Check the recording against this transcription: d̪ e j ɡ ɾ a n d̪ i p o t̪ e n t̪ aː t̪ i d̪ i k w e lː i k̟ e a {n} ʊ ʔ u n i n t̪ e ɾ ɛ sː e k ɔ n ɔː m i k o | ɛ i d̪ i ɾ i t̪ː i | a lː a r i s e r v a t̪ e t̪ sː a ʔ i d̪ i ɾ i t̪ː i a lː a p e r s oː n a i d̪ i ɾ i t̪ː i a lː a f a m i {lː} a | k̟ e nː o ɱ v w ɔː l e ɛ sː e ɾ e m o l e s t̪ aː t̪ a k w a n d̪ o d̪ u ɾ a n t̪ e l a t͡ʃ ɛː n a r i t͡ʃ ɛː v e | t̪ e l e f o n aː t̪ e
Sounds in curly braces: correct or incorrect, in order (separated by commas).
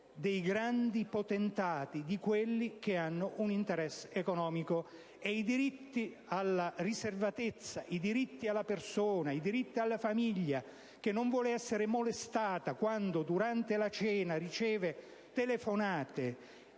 incorrect, incorrect